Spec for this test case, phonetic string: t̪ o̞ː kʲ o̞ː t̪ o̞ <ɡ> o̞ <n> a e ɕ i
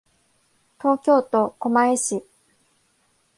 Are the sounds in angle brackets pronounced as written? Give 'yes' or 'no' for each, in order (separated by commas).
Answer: no, no